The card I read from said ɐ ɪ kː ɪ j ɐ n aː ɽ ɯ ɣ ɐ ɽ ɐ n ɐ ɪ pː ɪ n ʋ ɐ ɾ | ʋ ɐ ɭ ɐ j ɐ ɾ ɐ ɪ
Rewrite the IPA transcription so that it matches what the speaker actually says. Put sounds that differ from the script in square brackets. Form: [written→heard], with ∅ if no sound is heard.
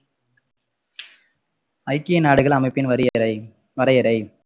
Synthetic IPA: ɐ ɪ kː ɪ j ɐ n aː ɽ ɯ ɣ ɐ [ɽ→ɭ] ɐ [n→m] ɐ ɪ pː ɪ n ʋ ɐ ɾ | ʋ ɐ [ɭ→ɾ] ɐ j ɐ ɾ ɐ ɪ